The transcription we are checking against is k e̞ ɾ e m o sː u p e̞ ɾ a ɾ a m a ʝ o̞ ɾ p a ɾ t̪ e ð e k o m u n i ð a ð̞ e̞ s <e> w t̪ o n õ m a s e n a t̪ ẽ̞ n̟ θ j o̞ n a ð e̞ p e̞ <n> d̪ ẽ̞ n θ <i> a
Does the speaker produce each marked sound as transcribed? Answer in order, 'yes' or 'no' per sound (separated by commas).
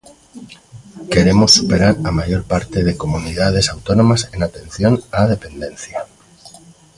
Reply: no, yes, no